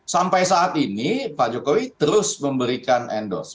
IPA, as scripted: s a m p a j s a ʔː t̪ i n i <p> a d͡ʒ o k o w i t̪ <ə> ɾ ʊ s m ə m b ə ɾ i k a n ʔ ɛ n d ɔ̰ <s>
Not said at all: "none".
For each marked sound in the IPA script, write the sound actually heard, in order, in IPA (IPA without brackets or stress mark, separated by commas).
p, ə, s